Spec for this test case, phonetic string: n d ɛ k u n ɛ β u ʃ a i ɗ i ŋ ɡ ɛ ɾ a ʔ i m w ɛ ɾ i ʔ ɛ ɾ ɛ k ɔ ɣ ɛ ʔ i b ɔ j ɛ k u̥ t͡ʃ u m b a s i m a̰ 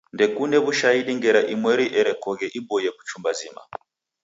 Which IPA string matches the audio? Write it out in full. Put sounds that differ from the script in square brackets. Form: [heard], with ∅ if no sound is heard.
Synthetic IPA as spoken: n d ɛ k u n ɛ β u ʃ a i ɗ i ŋ ɡ ɛ ɾ a ʔ i m w ɛ ɾ i ʔ ɛ ɾ ɛ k ɔ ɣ ɛ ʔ i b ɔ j ɛ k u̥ t͡ʃ u m b a [z] i m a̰